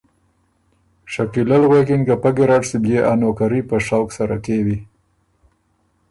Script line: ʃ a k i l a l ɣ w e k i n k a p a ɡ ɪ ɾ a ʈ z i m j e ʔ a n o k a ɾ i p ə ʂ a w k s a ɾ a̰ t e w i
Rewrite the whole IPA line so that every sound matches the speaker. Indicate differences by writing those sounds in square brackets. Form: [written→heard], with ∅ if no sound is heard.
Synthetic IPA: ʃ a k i l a l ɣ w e k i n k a p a ɡ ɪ ɾ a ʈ [z→s] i [m→b] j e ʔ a n o k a ɾ i p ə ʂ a w k s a ɾ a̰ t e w i